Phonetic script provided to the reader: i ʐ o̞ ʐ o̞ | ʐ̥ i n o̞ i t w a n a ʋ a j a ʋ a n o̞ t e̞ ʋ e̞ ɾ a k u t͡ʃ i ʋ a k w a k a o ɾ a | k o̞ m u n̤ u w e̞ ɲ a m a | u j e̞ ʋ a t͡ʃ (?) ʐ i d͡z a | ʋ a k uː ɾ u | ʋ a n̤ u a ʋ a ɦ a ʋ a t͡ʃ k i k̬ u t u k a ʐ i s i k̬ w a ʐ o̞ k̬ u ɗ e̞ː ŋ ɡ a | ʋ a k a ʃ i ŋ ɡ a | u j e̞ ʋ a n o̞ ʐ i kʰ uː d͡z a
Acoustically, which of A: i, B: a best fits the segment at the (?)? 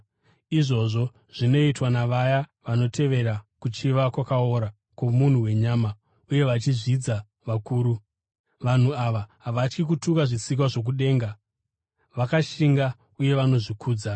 A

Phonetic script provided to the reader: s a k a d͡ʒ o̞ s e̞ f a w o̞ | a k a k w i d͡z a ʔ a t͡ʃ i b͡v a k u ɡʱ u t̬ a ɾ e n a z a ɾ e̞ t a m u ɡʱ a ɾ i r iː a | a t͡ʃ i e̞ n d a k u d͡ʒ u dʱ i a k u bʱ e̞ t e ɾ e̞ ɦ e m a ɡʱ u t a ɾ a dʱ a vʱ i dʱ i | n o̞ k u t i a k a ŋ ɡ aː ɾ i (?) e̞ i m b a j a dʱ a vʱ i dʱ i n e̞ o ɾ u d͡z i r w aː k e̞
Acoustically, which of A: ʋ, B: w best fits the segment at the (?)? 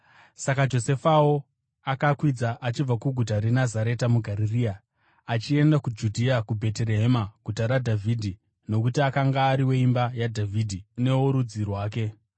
B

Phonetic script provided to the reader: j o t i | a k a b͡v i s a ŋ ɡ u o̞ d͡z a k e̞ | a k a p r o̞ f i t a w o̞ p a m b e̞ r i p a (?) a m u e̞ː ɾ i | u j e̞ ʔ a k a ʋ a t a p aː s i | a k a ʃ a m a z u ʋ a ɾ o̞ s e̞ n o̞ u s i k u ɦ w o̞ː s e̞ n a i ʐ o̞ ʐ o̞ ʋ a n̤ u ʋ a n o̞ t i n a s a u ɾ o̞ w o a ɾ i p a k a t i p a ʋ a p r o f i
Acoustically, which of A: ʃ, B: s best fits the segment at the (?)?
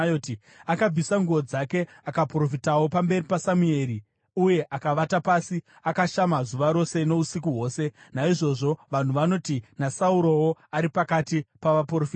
B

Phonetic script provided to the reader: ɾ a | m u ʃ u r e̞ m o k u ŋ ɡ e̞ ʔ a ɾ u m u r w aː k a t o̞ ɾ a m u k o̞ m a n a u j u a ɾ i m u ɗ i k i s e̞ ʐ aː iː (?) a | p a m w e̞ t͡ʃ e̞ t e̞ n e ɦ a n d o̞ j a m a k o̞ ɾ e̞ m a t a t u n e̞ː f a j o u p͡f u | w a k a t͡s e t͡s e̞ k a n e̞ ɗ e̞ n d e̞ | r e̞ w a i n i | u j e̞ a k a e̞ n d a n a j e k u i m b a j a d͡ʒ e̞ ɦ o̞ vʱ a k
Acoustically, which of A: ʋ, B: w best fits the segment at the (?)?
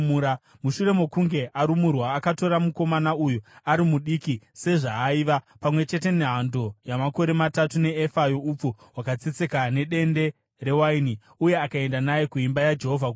A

